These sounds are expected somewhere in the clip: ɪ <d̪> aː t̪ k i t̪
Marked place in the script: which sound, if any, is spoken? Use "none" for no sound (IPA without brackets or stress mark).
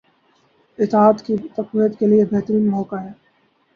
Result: t̪